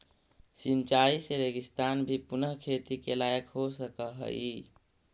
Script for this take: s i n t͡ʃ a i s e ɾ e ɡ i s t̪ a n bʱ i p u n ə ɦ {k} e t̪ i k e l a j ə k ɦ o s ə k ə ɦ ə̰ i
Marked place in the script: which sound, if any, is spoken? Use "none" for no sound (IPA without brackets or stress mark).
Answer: kʰ